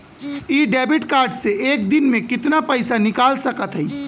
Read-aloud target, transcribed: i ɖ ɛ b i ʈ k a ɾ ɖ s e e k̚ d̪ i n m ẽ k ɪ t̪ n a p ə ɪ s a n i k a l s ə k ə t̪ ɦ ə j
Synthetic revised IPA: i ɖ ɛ b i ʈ k a ɾ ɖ s e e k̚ d̪ i n m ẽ k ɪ t̪ n a p ə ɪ s a n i k a l s ə k ə t̪ ɦ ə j